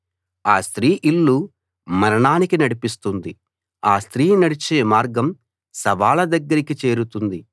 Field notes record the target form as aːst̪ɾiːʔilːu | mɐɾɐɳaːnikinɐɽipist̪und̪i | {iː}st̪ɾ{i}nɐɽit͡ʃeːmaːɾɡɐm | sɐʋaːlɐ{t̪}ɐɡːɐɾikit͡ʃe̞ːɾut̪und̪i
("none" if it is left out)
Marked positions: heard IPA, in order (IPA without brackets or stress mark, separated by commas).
aː, iː, d̪